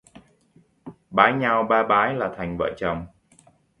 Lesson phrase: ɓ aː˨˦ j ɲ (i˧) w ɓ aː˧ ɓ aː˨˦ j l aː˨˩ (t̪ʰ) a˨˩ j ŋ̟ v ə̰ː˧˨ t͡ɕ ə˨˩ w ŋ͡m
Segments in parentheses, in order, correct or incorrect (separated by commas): incorrect, correct